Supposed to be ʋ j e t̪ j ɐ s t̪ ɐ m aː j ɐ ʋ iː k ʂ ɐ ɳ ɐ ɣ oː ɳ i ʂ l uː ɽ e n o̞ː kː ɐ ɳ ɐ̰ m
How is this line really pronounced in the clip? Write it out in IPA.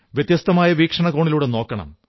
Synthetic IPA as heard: ʋ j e t̪ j ɐ s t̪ ɐ m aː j ɐ ʋ iː k ʂ ɐ ɳ ɐ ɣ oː ɳ i l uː ɽ e n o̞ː kː ɐ ɳ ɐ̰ m

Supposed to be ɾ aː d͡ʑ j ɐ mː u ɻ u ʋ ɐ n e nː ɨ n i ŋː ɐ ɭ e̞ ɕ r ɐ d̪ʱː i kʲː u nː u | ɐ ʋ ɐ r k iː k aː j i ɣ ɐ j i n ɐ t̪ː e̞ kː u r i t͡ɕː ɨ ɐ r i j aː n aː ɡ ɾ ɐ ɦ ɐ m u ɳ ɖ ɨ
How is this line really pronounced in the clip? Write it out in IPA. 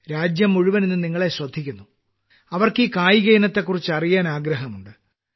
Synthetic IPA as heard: ɾ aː d͡ʑ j ɐ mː u ɻ u ʋ ɐ n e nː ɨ n i ŋː ɐ ɭ e̞ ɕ r ɐ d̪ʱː i kʲː u nː u | ɐ ʋ ɐ r k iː k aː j i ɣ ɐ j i n ɐ t̪ː e̞ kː u r i t͡ɕː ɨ ɐ r i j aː n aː ɡ ɾ ɐ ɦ ɐ m u ɳ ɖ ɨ

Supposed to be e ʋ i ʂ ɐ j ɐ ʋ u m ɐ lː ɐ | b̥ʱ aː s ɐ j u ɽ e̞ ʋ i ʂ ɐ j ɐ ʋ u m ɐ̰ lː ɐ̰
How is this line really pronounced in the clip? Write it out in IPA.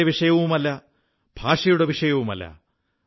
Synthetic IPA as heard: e ʋ i ʂ ɐ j ɐ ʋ u m ɐ lː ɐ | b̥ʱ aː ʂ ɐ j u ɽ e̞ ʋ i ʂ ɐ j ɐ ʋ u m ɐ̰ lː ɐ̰

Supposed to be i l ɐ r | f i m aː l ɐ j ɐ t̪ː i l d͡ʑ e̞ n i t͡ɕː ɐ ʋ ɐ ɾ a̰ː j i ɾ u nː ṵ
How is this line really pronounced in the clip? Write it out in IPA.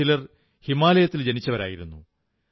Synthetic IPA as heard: i l ɐ r | h i m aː l ɐ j ɐ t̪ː i l d͡ʑ e̞ n i t͡ɕː ɐ ʋ ɐ ɾ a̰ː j i ɾ u nː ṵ

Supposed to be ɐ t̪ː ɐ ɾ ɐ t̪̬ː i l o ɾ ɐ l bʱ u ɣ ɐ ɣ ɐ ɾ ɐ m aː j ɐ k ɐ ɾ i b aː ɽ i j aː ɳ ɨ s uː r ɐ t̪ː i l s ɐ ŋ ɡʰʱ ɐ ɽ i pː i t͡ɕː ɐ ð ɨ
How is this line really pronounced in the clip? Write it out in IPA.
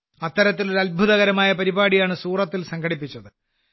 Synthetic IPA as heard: ɐ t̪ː ɐ ɾ ɐ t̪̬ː i l o ɾ ɐ l bʱ u ð ɐ ɣ ɐ ɾ ɐ m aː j ɐ p ɐ ɾ i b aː ɽ i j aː ɳ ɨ s uː r ɐ t̪ː i l s ɐ ŋ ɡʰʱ ɐ ɽ i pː i t͡ɕː ɐ ð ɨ

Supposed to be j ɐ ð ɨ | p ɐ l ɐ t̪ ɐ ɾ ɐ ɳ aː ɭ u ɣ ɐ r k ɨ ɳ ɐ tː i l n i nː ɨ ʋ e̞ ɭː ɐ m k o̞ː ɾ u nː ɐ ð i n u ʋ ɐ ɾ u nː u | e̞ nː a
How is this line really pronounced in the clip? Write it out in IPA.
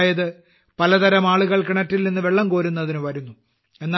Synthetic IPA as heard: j ɐ ð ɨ | p ɐ l ɐ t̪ ɐ ɾ ɐ m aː ɭ u ɣ ɐ ɭ k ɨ ɳ ɐ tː i l n i nː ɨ ʋ e̞ ɭː ɐ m k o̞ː ɾ u nː ɐ ð i n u ʋ ɐ ɾ u nː u | e̞ nː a

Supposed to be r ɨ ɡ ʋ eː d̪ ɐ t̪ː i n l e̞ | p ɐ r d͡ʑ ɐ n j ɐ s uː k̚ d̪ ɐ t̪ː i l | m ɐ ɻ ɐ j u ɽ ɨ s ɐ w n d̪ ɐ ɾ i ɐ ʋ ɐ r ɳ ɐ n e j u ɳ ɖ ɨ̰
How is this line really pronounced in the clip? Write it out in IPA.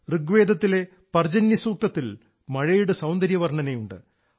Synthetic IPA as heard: r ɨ ɡ ʋ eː d̪ ɐ t̪ː i l e̞ | p ɐ r d͡ʑ ɐ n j ɐ s uː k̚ t̪ ɐ t̪ː i l | m ɐ ɻ ɐ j u ɽ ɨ s ɐ w n d̪ ɐ ɾ j ɐ ʋ ɐ r ɳ ɐ n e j u ɳ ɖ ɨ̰

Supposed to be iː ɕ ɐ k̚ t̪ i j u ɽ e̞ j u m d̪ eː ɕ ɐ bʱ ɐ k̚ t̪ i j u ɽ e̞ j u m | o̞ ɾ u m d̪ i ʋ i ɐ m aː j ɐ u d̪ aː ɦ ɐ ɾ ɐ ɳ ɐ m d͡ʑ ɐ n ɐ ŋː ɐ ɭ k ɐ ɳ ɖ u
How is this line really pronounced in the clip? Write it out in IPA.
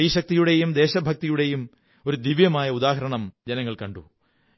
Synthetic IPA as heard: iː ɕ ɐ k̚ t̪ i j u ɽ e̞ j u m d̪ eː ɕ ɐ bʱ ɐ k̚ t̪ i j u ɽ e̞ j u m | o̞ ɾ u d̪ i ʋ j ɐ m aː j ɐ u d̪ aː ɦ ɐ ɾ ɐ ɳ ɐ m d͡ʑ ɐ n ɐ ŋː ɐ ɭ k ɐ ɳ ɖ u

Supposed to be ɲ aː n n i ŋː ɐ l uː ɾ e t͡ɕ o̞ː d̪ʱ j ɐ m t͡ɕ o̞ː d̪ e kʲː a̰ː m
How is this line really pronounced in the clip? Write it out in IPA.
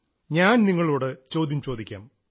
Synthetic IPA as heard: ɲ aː n n i ŋː ɐ ɭ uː ɽ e t͡ɕ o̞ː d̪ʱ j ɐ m t͡ɕ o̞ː d̪ i kʲː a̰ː m

